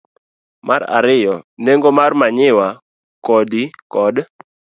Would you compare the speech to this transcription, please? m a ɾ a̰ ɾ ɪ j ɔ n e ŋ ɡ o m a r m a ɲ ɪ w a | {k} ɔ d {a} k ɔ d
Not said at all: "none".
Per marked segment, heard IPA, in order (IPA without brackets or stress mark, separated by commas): k, i